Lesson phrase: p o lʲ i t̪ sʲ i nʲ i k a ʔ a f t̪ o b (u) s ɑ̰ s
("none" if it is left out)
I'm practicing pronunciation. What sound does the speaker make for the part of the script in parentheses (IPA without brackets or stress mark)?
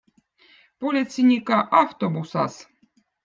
u